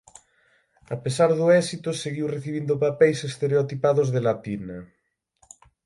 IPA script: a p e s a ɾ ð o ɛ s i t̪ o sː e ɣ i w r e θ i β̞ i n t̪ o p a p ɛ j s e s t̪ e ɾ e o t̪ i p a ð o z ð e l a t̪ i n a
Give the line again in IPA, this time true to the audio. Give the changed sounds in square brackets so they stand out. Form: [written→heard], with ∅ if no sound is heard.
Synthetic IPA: a p e s a ɾ ð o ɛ s i t̪ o [sː→s] e ɣ i w r e θ i β̞ i n [t̪→d̪] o p a p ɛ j s e s t̪ e ɾ e o t̪ i p a ð o z ð e l a t̪ i n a